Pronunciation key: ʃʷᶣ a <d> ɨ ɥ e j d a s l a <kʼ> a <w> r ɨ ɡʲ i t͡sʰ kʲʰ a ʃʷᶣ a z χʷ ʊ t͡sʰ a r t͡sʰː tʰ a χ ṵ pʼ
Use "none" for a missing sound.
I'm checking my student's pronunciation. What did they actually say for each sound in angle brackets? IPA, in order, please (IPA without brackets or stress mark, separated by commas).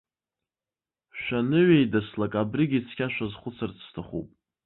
n, kʼ, b